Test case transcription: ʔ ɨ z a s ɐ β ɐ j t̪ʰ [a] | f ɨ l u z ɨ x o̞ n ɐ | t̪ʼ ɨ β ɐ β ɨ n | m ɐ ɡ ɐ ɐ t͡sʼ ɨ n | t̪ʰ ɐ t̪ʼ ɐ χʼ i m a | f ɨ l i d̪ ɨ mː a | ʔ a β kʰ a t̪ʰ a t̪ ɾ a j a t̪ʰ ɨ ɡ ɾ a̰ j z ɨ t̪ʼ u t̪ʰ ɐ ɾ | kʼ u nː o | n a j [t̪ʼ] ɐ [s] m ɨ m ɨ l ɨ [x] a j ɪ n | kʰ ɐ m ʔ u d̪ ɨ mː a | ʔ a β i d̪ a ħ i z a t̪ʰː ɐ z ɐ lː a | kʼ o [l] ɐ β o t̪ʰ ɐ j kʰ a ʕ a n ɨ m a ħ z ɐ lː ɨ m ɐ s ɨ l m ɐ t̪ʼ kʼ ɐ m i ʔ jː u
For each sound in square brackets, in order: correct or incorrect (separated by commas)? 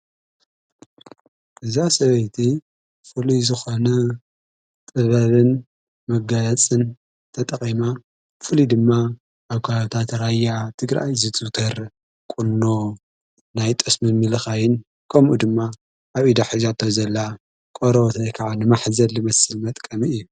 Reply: incorrect, correct, correct, correct, incorrect